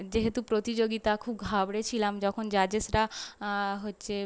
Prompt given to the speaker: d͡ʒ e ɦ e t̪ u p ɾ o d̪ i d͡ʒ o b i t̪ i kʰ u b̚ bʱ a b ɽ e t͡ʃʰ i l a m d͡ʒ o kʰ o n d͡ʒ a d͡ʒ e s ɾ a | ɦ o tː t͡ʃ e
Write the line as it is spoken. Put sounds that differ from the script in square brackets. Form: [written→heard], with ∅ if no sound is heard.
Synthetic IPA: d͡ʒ e ɦ e t̪ u p ɾ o [d̪→t̪] i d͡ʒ o [b→ɡ] i t̪ [i→a] kʰ u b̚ [bʱ→ɡʱ] a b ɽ e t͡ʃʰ i l a m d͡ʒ [o→ɔ] kʰ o n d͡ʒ a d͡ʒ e s ɾ a | ɦ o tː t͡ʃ e